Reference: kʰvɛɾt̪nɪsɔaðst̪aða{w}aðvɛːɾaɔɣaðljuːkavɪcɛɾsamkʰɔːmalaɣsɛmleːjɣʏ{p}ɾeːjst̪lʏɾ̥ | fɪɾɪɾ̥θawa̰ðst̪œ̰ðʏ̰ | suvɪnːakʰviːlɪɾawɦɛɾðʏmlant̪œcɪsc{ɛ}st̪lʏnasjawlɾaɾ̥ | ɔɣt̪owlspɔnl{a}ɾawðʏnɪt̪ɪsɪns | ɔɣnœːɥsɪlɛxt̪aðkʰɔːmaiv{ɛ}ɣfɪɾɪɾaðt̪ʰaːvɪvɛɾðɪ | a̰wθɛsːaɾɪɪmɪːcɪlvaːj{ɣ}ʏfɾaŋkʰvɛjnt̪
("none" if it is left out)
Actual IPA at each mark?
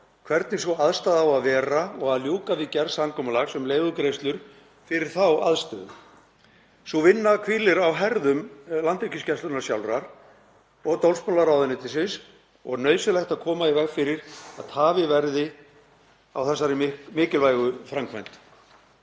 w, k, ɛ, a, ɛ, ɣ

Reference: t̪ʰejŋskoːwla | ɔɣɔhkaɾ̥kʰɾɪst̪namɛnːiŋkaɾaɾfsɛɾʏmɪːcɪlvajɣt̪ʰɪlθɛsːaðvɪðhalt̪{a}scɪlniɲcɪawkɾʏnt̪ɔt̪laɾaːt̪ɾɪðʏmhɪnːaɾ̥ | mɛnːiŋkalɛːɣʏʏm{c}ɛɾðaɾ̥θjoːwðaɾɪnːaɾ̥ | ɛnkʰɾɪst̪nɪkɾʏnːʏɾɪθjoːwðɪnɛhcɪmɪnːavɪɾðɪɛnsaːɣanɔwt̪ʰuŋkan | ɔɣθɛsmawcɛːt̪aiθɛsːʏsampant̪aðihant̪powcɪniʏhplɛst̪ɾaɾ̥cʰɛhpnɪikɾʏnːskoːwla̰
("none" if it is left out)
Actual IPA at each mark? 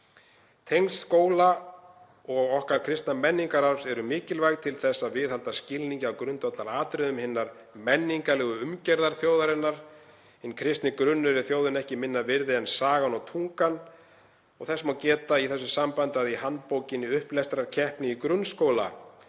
a, c

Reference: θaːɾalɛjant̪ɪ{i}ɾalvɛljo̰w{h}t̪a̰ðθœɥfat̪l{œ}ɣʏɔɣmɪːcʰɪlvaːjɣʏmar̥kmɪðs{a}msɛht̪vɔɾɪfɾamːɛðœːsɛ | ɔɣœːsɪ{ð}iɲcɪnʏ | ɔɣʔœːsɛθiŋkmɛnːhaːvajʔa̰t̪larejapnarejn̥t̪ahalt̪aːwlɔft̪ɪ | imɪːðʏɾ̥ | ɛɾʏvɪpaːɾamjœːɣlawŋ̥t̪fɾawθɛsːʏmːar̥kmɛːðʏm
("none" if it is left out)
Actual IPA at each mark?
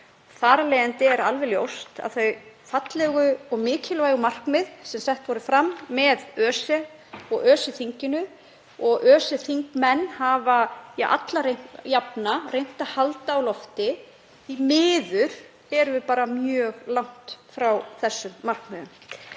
ɛ, s, ɛ, ɛ, θ

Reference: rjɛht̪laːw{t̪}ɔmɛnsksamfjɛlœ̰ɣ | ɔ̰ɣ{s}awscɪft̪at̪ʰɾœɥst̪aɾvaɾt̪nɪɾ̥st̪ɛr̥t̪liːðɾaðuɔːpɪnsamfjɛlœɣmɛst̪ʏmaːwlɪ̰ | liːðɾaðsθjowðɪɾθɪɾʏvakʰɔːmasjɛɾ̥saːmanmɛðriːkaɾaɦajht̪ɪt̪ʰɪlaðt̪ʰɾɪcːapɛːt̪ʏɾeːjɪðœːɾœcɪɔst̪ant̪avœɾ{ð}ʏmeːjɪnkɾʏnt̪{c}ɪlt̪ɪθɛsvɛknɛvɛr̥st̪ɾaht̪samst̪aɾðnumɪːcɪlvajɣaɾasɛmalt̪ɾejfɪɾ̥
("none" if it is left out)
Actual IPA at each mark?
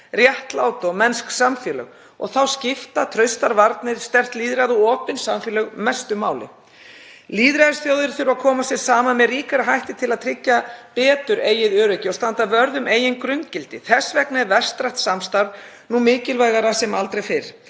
t̪, θ, ð, c

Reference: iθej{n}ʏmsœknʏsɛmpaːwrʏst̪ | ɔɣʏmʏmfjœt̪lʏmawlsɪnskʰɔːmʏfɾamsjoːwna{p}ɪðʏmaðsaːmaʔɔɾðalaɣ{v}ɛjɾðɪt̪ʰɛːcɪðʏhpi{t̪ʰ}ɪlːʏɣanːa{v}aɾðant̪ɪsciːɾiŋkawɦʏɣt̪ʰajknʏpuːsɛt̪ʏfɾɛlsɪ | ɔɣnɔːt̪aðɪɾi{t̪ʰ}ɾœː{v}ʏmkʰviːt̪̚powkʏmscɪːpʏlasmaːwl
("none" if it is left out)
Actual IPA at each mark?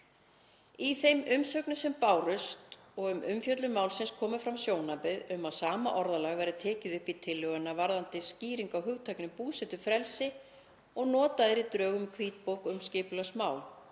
m, p, v, t̪ʰ, v, t̪, ɣ

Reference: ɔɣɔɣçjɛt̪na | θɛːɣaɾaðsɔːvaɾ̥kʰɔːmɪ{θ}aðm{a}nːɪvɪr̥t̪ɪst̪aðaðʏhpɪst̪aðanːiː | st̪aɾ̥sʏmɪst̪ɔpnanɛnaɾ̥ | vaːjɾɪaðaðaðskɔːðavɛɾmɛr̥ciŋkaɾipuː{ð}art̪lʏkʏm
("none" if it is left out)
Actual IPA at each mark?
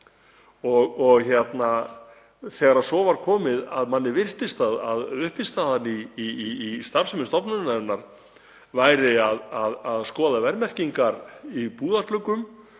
ð, a, ð

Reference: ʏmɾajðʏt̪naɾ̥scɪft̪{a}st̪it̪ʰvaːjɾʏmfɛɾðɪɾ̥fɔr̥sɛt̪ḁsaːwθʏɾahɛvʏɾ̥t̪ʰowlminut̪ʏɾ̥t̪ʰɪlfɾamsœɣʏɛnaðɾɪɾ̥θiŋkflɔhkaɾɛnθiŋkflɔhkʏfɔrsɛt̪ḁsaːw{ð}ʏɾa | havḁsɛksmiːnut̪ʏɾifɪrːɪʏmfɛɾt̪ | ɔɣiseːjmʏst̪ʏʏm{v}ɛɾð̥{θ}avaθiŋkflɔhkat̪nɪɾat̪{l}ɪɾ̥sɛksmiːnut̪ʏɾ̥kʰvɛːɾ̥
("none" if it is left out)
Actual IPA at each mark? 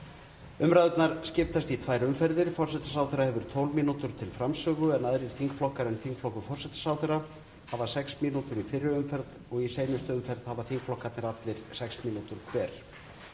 a, θ, f, h, l

